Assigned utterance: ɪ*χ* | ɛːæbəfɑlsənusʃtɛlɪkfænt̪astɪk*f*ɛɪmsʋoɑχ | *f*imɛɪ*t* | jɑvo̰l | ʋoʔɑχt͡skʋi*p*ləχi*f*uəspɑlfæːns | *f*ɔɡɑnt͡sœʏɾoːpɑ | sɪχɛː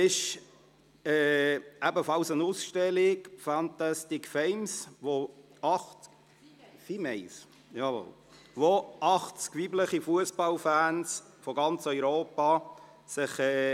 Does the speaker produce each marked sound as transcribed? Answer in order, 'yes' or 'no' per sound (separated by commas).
no, yes, yes, no, no, yes, yes